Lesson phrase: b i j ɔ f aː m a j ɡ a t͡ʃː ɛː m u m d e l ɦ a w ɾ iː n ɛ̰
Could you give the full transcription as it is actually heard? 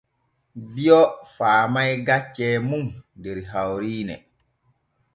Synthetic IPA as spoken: b i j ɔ f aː m a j ɡ a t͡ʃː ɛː m u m d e ɾ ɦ a w ɾ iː n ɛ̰